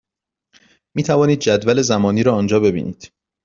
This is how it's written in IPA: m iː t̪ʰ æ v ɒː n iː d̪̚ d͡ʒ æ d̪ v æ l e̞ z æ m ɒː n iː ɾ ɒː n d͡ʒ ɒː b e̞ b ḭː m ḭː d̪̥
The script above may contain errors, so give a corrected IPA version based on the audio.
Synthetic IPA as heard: m iː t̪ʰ æ v ɒː n iː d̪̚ d͡ʒ æ d̪ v æ l e̞ z æ m ɒː n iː ɾ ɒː n d͡ʒ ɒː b e̞ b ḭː n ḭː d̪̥